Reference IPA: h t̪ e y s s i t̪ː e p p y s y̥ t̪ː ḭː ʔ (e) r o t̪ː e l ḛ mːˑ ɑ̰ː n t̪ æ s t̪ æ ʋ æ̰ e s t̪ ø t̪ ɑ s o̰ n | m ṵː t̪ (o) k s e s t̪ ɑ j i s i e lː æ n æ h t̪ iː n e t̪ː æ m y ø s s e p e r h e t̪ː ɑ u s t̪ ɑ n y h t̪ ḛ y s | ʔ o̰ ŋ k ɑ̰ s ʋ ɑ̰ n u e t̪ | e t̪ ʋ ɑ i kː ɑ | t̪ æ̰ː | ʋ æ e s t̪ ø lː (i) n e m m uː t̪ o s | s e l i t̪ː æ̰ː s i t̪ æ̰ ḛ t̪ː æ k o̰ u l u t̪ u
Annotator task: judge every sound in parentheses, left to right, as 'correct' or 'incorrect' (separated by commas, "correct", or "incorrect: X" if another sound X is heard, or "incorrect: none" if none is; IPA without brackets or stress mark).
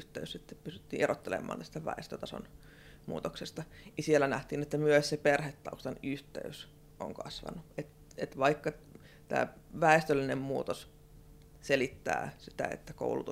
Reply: correct, correct, correct